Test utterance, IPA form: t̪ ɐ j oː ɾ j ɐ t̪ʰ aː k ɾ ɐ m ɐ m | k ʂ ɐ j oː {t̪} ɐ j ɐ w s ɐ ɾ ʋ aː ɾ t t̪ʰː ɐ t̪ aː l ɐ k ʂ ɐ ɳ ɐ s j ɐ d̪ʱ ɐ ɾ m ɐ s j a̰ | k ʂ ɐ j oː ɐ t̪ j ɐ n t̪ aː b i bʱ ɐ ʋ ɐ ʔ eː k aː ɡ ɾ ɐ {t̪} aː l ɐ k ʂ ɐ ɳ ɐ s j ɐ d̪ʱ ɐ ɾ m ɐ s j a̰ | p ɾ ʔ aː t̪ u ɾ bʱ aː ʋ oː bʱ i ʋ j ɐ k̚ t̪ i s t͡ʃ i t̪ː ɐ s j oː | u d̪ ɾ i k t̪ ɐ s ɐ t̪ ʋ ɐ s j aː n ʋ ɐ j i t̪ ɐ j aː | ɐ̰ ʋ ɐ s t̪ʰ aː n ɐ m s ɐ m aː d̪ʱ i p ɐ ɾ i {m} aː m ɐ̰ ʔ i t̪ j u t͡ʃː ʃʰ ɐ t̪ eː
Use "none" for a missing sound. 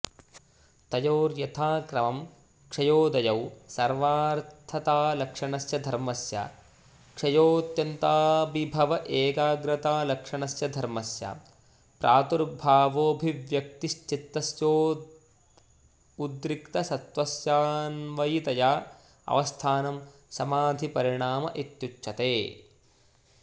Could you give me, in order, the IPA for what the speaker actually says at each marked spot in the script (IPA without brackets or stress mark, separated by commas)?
d̪, t̪, ɳ